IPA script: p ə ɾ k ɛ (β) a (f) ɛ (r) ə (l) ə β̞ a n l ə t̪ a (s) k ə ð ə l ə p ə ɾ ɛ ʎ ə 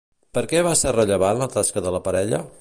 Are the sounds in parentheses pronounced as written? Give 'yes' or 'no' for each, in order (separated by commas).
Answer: yes, no, yes, no, yes